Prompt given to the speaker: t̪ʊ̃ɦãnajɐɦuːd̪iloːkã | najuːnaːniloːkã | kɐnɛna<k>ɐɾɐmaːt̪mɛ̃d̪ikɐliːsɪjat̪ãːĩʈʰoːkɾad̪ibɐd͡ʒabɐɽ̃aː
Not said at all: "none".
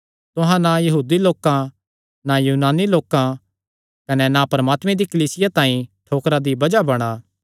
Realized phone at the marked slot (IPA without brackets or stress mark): p